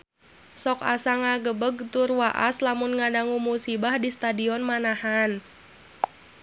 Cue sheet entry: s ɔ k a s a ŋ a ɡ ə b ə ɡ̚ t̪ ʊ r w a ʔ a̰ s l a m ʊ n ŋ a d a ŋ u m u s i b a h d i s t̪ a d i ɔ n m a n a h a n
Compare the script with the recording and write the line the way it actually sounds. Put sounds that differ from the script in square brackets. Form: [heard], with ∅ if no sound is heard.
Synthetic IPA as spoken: s ɔ k a s a ŋ a ɡ ə b ə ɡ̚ t̪ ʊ r w a ʔ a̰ s l a m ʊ n ŋ a d a ŋ u m u s i b a h d i s t̪ a d i ɔ n m a n a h a n